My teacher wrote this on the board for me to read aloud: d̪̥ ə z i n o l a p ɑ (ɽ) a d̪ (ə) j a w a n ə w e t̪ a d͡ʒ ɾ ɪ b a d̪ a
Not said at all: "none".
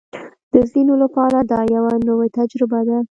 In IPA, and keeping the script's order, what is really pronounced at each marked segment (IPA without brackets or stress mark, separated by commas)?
ɾ, ɑ